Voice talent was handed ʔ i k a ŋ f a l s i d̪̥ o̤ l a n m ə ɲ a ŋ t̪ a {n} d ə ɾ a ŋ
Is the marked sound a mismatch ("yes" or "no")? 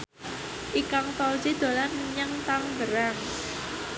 yes